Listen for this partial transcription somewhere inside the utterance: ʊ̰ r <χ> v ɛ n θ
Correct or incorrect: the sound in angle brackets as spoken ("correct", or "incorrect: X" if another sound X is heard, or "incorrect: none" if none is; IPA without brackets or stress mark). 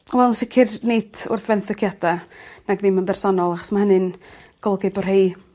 incorrect: θ